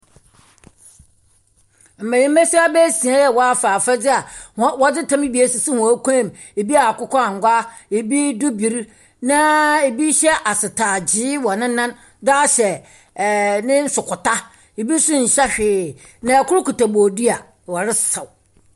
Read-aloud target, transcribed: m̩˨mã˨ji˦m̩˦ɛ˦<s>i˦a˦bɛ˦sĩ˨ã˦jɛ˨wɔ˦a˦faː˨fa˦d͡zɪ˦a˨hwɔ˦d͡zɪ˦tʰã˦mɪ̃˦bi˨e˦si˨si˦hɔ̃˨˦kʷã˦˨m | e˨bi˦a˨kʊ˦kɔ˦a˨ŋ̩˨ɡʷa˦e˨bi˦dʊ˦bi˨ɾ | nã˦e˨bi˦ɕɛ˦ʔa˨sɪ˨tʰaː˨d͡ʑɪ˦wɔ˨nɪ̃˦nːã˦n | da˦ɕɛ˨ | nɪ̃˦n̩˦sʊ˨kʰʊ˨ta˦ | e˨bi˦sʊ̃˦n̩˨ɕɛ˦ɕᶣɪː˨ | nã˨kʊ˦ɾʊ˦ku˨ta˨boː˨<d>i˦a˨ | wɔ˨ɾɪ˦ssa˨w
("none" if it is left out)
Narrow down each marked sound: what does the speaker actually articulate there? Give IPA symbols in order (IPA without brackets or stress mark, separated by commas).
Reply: s, d